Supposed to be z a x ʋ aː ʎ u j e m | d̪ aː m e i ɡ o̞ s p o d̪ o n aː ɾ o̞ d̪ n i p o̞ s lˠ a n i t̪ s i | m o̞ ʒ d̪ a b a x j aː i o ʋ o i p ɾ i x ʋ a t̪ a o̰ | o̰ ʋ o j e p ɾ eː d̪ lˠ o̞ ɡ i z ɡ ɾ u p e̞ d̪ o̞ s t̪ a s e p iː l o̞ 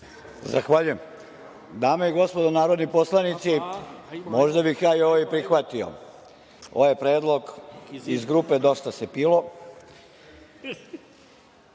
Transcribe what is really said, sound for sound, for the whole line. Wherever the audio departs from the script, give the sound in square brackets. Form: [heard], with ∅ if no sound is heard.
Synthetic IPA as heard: z a x ʋ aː ʎ u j e m | d̪ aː m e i ɡ o̞ s p o d̪ o n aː ɾ o̞ d̪ n i p o̞ s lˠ a n i t̪ s i | m o̞ ʒ d̪ a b [i] x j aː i o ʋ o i p ɾ i x ʋ a t̪ [i] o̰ | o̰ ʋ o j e p ɾ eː d̪ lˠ o̞ ɡ i z ɡ ɾ u p e̞ d̪ o̞ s t̪ a s e p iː l o̞